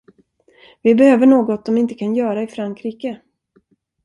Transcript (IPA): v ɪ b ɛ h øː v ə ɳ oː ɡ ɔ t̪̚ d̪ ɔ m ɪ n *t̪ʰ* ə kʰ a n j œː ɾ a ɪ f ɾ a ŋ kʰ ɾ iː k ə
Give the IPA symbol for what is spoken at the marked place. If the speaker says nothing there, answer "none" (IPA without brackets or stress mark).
t̪